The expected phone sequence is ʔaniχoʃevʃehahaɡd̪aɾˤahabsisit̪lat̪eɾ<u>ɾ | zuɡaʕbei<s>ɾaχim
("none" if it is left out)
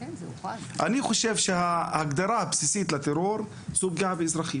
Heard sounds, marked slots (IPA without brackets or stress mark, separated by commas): o, z